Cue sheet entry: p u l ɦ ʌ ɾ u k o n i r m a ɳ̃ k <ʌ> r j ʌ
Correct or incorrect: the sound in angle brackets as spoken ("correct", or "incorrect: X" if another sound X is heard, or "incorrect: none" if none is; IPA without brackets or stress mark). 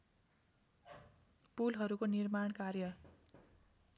incorrect: a